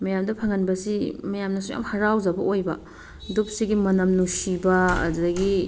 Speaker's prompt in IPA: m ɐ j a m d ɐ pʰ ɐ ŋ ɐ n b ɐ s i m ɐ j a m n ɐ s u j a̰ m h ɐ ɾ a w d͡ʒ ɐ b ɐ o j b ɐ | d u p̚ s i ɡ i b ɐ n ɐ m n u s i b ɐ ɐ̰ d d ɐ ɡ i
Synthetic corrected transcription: m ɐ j a m d ɐ pʰ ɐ ŋ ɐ n b ɐ s i m ɐ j a m n ɐ s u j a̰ m h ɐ ɾ a w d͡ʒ ɐ b ɐ o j b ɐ | d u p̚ s i ɡ i m ɐ n ɐ m n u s i b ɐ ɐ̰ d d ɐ ɡ i